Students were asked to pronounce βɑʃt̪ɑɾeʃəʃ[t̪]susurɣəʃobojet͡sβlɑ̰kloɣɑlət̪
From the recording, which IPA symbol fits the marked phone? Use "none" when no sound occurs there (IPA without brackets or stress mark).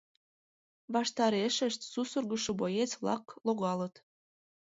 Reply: t̪